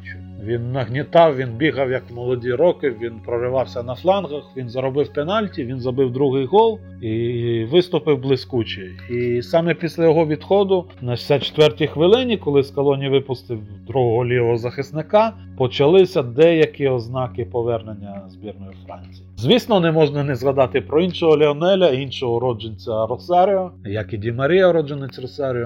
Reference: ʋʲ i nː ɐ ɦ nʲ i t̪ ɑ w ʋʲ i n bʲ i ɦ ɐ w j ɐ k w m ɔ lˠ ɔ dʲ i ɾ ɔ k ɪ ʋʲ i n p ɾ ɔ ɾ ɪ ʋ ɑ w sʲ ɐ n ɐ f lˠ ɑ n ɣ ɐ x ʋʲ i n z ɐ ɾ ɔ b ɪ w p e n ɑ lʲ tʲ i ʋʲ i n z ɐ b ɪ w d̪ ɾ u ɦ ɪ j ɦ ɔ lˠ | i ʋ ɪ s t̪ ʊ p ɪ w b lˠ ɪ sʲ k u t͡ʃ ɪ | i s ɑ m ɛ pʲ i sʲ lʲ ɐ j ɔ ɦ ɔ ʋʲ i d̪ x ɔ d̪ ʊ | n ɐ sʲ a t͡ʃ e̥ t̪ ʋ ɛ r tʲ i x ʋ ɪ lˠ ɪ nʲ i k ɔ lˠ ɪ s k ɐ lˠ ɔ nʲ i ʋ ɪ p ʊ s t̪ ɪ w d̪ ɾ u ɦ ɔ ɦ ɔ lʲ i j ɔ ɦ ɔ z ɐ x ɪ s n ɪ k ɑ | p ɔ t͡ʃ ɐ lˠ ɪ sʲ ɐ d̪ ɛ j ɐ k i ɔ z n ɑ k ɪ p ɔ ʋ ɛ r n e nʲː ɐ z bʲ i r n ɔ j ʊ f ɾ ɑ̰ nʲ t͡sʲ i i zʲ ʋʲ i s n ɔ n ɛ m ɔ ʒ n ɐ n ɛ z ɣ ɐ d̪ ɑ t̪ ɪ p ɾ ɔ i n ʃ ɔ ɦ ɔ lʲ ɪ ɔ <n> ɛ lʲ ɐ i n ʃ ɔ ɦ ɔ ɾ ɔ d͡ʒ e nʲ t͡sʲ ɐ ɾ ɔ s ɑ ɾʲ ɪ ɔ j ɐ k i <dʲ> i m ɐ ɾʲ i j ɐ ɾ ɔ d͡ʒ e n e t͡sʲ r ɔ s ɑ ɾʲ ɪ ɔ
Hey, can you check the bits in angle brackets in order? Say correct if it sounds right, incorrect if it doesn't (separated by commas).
correct, correct